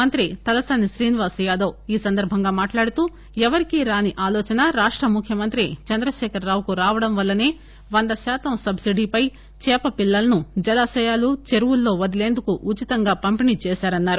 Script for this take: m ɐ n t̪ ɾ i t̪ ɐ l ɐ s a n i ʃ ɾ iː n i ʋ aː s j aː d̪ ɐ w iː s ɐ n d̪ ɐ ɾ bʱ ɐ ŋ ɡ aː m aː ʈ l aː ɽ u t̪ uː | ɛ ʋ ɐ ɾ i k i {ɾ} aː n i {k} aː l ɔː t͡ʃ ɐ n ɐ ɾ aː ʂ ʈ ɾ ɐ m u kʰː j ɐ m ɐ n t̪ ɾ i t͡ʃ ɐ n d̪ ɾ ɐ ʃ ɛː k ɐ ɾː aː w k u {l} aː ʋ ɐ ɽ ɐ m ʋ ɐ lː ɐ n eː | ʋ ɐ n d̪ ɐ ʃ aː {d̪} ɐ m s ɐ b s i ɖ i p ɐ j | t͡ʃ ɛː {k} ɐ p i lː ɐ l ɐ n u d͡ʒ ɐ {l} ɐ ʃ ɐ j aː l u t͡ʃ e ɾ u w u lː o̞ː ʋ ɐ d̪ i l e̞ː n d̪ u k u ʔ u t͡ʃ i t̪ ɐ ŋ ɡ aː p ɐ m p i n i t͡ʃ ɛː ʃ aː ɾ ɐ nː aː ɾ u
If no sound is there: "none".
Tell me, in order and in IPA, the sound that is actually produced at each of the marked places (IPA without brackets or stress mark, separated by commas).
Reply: ɾ, ʔ, ɾ, t̪, p, l